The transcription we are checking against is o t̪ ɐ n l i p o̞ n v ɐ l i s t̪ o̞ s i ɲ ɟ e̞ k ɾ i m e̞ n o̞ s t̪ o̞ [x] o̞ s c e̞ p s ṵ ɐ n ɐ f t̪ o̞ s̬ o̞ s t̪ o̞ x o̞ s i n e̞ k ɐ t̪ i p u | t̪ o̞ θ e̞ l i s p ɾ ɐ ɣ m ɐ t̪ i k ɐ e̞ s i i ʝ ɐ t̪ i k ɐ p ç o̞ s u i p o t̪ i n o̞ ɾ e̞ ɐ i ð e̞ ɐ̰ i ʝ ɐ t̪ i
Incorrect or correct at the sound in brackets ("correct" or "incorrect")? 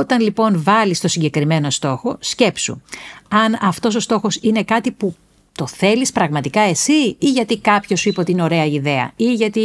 correct